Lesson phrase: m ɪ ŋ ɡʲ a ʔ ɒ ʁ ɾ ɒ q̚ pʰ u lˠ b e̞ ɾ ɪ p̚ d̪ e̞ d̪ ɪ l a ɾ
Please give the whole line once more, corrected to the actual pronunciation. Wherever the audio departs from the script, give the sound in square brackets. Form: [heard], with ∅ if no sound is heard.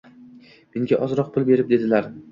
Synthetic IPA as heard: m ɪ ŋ ɡʲ a ʔ ɒ [z] ɾ ɒ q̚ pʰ [ʊ] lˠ b e̞ ɾ ɪ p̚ d̪ e̞ d̪ ɪ l a ɾ